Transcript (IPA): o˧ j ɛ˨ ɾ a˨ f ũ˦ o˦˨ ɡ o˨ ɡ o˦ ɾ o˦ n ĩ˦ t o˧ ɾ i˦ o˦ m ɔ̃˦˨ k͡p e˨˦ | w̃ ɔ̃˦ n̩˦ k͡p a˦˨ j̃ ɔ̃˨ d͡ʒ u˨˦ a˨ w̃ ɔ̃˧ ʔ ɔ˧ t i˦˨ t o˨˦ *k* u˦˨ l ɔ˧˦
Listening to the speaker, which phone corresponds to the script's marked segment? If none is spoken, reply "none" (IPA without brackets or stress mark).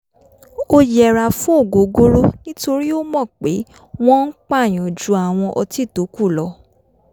k